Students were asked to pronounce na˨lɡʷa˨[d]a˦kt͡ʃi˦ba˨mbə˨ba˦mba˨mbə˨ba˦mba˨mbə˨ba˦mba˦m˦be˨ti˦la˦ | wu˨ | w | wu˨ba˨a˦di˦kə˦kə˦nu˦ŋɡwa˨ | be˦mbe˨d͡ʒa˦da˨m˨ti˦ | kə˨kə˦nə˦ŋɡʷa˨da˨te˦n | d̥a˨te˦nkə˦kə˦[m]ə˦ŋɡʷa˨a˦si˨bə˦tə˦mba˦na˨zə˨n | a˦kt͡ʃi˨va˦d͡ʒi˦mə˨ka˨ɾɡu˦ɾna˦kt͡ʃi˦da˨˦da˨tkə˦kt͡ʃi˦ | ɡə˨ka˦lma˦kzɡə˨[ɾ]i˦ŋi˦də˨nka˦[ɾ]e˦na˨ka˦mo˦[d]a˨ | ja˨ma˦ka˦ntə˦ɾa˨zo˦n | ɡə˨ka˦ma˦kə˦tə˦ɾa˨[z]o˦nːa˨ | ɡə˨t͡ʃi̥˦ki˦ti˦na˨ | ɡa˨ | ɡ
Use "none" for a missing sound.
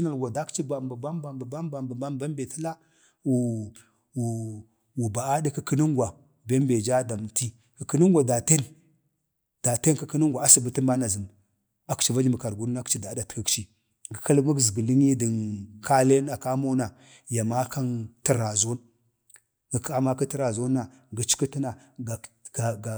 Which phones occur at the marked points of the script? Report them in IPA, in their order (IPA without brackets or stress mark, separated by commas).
d, n, l, l, n, z